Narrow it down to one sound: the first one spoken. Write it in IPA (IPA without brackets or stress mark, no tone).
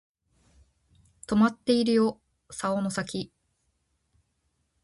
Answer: t̪